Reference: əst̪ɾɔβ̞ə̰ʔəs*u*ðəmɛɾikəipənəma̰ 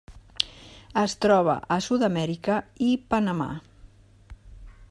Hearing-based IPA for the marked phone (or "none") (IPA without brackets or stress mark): u